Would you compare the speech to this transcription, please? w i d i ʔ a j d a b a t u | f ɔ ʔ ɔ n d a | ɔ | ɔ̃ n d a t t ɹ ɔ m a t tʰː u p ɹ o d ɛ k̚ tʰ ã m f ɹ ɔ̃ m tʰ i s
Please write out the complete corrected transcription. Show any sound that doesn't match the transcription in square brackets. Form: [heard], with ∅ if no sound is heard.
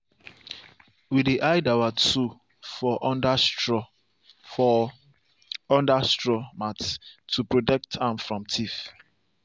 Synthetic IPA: w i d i ʔ a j d a [w] a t u | f ɔ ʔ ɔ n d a | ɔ | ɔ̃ n d a [s] t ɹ ɔ m a t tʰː u p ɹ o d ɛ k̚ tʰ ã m f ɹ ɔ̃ m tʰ i [f]

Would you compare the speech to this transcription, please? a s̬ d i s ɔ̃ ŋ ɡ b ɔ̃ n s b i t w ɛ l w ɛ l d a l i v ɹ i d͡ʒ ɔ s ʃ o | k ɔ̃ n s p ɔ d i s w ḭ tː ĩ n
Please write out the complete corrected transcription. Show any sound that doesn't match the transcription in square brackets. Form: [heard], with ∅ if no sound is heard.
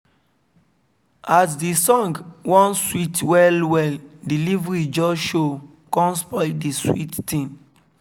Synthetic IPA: a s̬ d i s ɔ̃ ŋ ɡ [w] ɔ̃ n s [w] i t w ɛ l w ɛ l d [i] l i v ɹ i d͡ʒ ɔ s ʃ o | k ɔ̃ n s p ɔ d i s w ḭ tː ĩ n

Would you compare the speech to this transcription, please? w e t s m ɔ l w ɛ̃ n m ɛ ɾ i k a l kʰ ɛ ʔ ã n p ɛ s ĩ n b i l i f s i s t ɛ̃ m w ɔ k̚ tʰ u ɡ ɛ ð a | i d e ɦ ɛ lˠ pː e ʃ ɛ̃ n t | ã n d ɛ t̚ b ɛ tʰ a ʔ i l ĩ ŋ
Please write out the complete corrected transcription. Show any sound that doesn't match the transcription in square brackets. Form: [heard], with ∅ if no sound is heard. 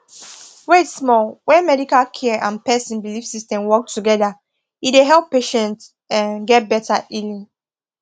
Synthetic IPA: w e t s m ɔ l w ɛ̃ n m ɛ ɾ i k a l kʰ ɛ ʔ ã n p ɛ s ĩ n b i l i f s i s t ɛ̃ m w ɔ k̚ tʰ u ɡ ɛ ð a | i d e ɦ ɛ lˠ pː e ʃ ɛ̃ n t | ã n [ɡ] ɛ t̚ b ɛ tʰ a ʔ i l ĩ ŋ

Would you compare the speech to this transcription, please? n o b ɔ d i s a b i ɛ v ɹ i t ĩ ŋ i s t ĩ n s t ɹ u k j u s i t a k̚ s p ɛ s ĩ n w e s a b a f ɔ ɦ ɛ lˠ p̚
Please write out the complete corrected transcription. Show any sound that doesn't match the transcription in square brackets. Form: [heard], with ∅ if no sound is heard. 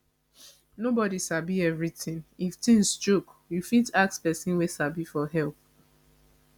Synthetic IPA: n o b ɔ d i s a b i ɛ v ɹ i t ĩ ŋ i [f] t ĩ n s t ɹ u k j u [f] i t a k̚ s p ɛ s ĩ n w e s a b [i] f ɔ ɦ ɛ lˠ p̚

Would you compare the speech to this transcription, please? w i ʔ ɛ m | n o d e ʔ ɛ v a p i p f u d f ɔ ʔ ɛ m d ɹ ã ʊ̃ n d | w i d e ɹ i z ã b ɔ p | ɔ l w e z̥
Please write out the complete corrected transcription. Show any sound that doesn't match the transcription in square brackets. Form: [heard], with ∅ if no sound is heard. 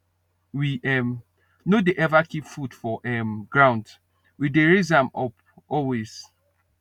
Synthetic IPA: w i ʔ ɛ m | n o d e ʔ ɛ v a [k] i p f u d f ɔ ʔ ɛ m [ɡ] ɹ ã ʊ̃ n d | w i d e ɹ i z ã [m] ɔ p | ɔ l w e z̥

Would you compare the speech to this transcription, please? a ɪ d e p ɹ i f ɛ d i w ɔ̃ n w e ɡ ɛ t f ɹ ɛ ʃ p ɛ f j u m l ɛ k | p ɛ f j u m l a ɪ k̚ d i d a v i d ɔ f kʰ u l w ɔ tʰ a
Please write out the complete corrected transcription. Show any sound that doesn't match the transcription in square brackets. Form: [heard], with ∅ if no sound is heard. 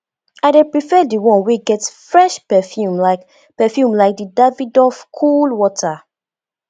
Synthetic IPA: a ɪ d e p ɹ i f ɛ d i w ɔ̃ n w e ɡ ɛ t f ɹ ɛ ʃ p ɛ f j u m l [a] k | p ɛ f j u m l a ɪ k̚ d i d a v i d ɔ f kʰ u l w ɔ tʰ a

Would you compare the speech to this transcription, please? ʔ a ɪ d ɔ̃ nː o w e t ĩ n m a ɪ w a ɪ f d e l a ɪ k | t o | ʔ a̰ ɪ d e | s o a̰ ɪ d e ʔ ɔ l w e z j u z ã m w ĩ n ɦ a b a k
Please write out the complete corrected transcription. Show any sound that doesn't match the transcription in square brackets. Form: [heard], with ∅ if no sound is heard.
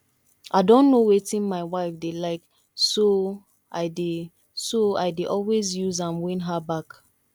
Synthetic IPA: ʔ a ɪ d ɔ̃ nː o w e t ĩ n m a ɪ w a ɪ f d e l a ɪ k | [s] o | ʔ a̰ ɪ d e | s o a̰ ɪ d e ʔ ɔ l w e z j u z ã m w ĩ n ɦ a b a k

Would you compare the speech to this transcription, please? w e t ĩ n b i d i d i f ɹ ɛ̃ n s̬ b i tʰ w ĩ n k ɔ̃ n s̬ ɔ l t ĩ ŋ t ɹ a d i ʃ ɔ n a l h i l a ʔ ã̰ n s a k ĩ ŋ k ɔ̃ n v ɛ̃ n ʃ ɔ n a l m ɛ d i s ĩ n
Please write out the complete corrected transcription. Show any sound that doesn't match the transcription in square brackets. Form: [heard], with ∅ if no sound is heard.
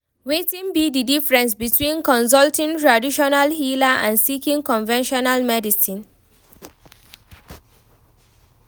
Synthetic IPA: w e t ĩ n b i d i d i f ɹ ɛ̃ n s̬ b i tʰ w ĩ n k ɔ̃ n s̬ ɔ l t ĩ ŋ t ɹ a d i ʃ ɔ n a l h i l a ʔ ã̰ n s [i] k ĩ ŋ k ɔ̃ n v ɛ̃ n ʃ ɔ n a l m ɛ d i s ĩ n

